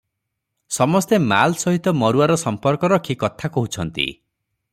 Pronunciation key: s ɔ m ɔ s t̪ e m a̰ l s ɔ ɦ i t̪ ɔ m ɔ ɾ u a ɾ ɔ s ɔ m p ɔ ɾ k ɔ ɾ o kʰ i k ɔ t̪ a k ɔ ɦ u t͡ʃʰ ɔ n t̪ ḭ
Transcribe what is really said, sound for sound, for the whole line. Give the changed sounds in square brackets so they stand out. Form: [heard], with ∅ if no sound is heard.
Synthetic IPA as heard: s ɔ m ɔ s t̪ e m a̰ l s ɔ ɦ i t̪ ɔ m ɔ ɾ u a ɾ ɔ s ɔ m p ɔ ɾ k ɔ ɾ [ɔ] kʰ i k ɔ [t̪ʰ] a k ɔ ɦ u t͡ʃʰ ɔ n t̪ ḭ